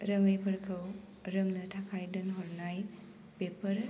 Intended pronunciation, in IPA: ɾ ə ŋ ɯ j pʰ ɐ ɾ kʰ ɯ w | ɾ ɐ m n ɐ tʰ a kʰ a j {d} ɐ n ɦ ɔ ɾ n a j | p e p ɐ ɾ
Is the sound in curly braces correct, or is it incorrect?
correct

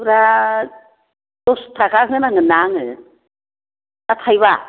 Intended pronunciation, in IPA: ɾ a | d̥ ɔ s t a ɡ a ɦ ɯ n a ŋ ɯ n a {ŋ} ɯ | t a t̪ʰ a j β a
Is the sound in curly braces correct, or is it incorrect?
correct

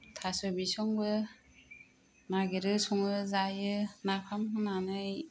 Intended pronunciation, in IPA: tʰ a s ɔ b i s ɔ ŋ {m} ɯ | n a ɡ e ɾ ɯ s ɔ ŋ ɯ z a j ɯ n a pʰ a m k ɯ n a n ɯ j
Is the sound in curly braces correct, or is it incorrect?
incorrect: b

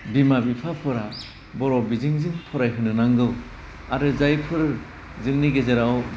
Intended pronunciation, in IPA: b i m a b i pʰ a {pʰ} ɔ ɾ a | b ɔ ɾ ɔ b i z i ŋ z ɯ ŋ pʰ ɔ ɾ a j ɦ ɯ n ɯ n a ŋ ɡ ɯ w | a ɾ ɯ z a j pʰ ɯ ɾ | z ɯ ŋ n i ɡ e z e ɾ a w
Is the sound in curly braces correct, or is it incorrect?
correct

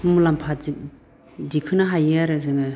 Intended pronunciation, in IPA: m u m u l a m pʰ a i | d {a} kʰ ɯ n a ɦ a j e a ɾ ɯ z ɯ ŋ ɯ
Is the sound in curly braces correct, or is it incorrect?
incorrect: i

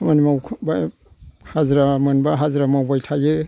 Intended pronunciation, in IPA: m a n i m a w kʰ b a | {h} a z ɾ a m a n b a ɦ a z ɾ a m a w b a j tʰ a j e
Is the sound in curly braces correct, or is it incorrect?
correct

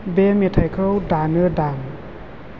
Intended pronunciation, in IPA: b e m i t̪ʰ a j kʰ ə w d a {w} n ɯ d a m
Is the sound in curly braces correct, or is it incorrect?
incorrect: none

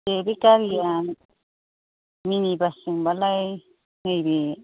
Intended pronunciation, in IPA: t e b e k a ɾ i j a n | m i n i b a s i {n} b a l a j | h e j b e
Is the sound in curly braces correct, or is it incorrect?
incorrect: ŋ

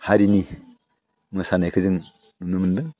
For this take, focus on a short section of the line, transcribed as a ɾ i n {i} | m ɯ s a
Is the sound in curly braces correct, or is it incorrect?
correct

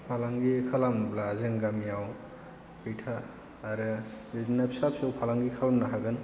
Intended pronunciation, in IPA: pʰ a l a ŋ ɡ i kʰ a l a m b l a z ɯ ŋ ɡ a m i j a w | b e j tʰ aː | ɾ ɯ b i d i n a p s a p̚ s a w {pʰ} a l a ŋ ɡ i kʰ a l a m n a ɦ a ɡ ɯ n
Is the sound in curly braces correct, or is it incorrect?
correct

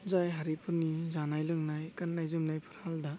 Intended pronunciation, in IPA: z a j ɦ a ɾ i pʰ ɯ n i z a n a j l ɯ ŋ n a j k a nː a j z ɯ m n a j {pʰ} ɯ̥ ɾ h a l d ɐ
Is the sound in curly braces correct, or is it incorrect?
correct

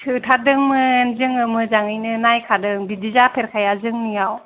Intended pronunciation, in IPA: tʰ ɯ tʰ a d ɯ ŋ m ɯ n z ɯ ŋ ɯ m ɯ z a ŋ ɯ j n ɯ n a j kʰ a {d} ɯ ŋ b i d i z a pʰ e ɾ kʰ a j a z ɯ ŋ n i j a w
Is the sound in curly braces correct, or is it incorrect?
correct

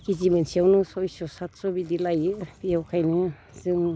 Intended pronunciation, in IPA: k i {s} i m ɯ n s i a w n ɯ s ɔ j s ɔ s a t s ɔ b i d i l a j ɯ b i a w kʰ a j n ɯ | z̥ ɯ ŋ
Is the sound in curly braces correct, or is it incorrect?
incorrect: z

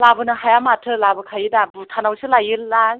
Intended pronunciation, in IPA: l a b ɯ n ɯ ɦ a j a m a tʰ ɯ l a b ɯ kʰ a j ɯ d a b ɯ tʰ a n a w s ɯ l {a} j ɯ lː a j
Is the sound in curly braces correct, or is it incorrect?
correct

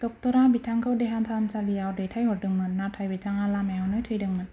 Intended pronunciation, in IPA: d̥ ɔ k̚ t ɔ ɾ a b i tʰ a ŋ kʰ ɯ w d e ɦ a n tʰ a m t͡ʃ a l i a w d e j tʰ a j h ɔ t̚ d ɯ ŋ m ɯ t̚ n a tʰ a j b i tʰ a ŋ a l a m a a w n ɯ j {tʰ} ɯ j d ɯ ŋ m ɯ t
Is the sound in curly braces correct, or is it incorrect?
correct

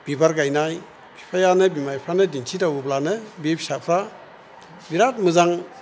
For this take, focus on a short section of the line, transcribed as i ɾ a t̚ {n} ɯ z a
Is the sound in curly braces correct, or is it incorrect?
incorrect: m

